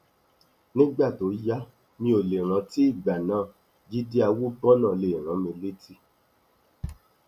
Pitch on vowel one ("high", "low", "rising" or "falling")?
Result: high